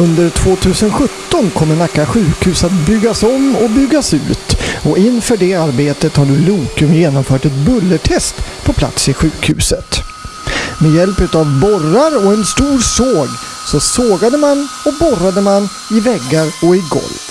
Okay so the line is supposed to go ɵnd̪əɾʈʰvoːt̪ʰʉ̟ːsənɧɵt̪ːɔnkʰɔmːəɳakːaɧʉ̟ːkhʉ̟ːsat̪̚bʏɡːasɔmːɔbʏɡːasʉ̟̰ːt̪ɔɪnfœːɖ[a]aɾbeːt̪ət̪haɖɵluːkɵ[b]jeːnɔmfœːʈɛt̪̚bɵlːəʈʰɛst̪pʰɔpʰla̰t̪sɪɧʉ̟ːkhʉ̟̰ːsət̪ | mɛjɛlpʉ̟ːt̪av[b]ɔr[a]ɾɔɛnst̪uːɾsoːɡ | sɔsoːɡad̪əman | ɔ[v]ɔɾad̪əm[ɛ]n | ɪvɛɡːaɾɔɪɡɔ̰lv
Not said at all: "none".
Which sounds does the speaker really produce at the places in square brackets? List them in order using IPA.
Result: ɛ, m, b, a, b, a

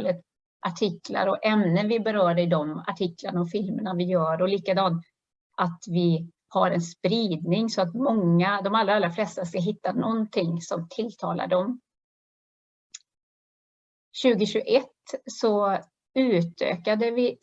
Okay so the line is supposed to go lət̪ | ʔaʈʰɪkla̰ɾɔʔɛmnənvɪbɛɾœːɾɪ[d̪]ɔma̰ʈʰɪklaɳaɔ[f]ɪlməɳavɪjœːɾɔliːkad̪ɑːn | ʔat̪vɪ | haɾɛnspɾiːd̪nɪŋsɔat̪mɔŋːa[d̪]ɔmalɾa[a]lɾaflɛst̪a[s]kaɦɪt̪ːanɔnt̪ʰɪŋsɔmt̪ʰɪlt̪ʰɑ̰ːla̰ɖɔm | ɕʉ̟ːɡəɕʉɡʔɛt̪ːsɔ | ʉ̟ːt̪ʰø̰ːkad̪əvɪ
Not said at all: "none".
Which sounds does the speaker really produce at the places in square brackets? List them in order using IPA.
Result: d̪, f, d̪, a, s

